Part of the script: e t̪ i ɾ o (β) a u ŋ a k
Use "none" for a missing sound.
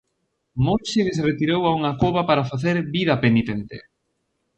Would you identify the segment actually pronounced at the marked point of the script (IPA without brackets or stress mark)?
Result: w